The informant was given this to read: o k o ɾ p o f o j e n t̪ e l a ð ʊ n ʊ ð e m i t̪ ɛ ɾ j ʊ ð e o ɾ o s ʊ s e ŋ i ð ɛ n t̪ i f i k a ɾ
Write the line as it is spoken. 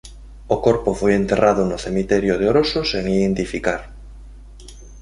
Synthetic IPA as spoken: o k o ɾ p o f o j e n t̪ e r a ð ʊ n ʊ θ e m i t̪ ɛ ɾ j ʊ ð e o ɾ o s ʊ s e ŋ i ð e n t̪ i f i k a ɾ